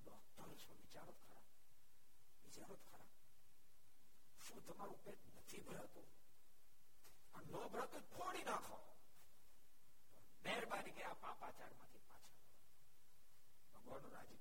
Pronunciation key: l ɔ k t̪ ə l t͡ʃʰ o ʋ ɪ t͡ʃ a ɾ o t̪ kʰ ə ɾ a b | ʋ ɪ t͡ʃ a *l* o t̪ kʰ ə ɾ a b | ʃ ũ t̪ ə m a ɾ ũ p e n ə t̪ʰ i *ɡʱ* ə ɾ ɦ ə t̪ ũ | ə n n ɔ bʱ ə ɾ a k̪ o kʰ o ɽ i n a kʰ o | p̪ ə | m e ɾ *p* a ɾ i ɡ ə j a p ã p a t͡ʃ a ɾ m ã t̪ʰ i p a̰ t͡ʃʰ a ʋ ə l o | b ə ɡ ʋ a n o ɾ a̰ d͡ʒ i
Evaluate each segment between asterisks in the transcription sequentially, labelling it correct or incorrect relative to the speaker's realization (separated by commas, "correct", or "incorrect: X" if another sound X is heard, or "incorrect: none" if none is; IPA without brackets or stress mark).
incorrect: ɾ, incorrect: bʱ, incorrect: b